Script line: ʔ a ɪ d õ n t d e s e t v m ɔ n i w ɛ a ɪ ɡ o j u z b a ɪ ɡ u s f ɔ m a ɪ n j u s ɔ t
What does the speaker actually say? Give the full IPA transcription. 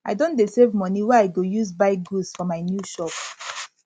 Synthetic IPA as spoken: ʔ a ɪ d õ n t d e s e v m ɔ n i w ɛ a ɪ ɡ o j u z b a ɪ ɡ u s f ɔ m a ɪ n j u ʃ ɔ p